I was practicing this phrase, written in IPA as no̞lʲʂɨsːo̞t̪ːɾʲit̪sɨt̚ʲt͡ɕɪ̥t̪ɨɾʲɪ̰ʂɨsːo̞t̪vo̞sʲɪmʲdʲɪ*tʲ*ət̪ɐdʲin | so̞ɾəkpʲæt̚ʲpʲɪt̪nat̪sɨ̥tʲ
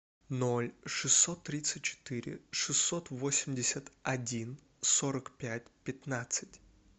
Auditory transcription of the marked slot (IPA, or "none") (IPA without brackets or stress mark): sʲ